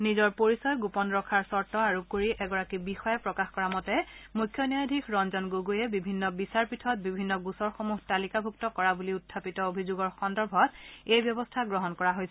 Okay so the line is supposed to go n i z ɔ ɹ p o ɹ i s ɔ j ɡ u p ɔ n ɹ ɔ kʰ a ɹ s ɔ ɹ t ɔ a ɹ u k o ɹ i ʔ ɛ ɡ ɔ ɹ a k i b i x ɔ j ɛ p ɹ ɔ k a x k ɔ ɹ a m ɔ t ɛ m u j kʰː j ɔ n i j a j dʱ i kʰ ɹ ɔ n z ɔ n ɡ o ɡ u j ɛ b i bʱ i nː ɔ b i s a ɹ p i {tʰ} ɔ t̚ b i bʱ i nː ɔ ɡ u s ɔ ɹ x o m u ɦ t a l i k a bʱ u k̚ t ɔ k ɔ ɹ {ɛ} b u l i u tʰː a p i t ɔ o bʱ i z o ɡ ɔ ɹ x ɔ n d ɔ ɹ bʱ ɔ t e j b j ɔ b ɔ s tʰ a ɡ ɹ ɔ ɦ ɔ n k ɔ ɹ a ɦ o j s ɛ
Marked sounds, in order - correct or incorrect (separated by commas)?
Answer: correct, incorrect